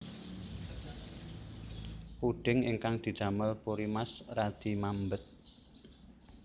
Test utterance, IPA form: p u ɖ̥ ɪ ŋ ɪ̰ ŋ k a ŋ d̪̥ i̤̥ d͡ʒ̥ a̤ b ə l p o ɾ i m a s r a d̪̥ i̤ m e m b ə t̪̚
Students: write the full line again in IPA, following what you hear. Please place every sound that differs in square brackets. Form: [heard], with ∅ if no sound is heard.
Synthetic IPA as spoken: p u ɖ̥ ɪ ŋ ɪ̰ ŋ k a ŋ d̪̥ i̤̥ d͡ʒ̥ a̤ [m] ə l p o ɾ i m a s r a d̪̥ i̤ m [a] m b ə t̪̚

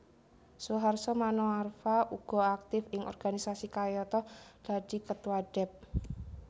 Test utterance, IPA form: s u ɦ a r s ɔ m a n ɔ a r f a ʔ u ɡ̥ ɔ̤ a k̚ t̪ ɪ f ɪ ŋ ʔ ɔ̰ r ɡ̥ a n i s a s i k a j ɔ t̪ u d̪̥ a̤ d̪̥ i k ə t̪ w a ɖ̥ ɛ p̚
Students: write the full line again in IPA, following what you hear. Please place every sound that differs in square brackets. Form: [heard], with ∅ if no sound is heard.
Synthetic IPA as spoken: s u ɦ a r s ɔ m a n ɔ a r f a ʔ u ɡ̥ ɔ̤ a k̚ t̪ ɪ f ɪ ŋ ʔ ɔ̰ r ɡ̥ a n i s a s i k a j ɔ t̪ [ɔ] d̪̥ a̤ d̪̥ i k ə t̪ w a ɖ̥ ɛ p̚

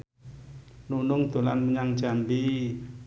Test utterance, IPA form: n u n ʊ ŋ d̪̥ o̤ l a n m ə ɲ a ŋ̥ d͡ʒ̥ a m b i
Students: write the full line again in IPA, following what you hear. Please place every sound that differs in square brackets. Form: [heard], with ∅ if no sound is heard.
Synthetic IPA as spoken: n u n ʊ ŋ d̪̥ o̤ l a n m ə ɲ a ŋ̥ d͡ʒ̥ a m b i

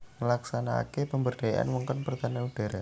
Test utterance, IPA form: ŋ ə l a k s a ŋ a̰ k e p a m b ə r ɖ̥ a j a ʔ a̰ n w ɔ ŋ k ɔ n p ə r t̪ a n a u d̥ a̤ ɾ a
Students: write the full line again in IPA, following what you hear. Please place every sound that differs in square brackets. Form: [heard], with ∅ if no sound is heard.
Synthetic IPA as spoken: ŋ ə l a k s a [n] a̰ k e p [ə] m b ə r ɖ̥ a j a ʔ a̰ n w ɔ ŋ k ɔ n p ə r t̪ a n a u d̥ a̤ ɾ a

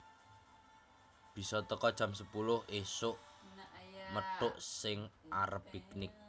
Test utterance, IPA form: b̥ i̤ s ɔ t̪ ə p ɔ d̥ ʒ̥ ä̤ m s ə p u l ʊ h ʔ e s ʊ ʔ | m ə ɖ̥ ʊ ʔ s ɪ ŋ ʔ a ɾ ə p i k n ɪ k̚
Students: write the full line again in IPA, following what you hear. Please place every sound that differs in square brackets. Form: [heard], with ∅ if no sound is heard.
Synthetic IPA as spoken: b̥ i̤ s ɔ t̪ ə [k] ɔ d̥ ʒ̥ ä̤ m s ə p u l ʊ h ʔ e s ʊ ʔ | m ə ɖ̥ ʊ ʔ s ɪ ŋ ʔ a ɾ ə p i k n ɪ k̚

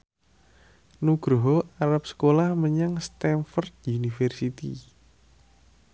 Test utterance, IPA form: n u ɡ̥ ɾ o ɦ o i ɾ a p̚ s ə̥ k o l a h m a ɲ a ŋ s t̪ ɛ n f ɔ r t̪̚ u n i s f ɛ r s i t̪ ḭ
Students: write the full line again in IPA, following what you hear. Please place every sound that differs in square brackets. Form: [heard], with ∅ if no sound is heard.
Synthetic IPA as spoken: n u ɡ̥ ɾ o ɦ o [a] ɾ a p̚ s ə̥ k o l a h m [ə] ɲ a ŋ s t̪ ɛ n f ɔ r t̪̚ u n i [∅] f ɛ r s i t̪ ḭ

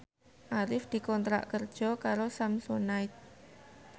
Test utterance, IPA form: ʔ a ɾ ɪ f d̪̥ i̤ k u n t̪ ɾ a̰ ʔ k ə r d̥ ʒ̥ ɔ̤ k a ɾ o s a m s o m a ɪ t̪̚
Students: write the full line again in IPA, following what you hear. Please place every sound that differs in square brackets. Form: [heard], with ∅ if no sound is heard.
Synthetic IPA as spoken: ʔ a ɾ ɪ f d̪̥ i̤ k [ɔ] n t̪ ɾ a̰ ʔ k ə r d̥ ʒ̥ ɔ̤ k a ɾ o s a m s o [n] a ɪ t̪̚

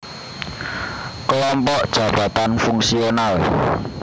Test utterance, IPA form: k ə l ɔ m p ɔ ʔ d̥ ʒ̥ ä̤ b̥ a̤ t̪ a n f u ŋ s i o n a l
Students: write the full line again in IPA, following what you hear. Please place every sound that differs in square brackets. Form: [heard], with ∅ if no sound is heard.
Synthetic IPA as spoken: k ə l ɔ m p ɔ ʔ d̥ ʒ̥ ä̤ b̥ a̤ t̪ a n f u ŋ s i o n a l

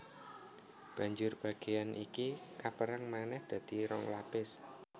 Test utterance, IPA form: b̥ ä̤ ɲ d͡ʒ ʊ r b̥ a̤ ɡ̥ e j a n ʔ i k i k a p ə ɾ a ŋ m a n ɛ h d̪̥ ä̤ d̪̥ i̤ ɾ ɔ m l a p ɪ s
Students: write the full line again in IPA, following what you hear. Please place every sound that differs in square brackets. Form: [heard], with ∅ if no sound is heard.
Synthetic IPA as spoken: b̥ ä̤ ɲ d͡ʒ ʊ r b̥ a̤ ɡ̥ e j a n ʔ i k i k a p ə ɾ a ŋ m a n ɛ h d̪̥ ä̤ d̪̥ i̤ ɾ ɔ [ŋ] l a p ɪ s

